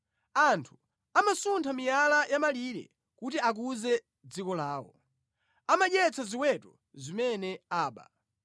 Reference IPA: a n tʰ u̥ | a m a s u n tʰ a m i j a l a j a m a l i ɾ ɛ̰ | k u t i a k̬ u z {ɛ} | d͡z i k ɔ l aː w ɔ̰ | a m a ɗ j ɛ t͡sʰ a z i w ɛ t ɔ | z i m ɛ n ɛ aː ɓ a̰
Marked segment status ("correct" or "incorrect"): correct